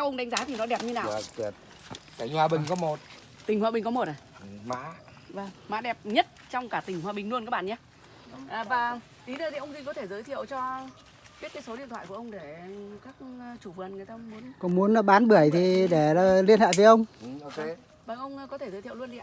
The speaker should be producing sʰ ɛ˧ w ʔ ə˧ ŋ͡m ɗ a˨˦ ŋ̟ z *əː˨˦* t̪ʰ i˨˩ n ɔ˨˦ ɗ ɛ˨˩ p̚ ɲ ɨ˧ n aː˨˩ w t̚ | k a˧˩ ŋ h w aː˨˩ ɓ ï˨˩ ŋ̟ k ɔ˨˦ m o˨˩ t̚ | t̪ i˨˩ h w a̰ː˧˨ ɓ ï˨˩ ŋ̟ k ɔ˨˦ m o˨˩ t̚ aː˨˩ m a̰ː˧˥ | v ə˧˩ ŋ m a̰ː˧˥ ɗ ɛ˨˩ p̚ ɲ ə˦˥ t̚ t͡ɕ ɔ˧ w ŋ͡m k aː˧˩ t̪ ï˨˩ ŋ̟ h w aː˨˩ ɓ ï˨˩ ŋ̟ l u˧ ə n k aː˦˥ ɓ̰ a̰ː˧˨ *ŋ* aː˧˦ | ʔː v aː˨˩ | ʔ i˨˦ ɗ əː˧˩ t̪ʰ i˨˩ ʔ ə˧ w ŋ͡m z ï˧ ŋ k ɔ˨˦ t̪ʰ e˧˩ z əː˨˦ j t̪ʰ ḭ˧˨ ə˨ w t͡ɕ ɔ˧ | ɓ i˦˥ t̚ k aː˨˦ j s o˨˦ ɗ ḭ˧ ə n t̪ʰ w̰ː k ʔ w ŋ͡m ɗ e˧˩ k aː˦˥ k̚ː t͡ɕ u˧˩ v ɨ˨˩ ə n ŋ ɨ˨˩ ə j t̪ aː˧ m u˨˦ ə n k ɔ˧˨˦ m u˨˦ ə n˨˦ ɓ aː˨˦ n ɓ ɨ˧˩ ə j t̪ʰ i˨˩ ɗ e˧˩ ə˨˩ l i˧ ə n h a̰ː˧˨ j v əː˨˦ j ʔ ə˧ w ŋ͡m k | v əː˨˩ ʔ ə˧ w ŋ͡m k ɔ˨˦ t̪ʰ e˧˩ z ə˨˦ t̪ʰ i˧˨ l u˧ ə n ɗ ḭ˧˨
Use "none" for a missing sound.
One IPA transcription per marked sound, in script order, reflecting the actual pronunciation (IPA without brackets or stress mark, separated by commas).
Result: aː˨˦, ɲ